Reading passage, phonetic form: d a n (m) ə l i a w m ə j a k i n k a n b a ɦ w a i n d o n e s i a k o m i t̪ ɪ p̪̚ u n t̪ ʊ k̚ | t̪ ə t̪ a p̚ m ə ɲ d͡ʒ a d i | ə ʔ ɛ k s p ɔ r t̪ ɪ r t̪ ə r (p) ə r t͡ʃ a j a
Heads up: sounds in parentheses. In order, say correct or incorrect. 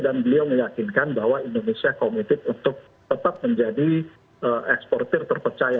incorrect: b, correct

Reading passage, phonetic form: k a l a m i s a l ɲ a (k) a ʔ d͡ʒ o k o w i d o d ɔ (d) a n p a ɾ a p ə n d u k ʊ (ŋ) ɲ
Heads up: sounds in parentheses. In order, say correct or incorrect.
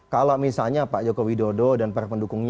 incorrect: p, correct, correct

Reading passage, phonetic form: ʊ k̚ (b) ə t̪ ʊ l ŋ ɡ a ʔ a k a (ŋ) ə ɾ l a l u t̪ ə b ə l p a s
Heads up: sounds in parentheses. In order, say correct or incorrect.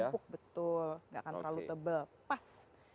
correct, incorrect: n

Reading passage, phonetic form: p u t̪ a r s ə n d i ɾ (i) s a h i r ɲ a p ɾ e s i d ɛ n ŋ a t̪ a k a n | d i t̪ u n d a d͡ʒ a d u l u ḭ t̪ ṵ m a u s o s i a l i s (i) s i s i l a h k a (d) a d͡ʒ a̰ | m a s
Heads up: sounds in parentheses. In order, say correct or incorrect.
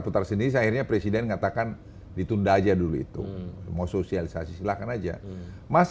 correct, incorrect: a, incorrect: n

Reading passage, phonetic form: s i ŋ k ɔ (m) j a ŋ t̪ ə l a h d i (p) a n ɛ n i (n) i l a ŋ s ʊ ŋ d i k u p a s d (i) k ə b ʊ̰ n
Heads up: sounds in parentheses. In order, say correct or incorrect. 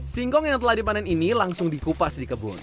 incorrect: ŋ, correct, correct, correct

